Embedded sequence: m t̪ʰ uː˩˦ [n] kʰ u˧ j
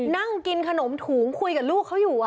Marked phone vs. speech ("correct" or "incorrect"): incorrect